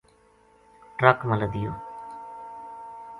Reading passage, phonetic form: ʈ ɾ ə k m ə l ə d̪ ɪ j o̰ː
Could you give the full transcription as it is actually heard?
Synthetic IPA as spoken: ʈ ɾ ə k m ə l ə d̪ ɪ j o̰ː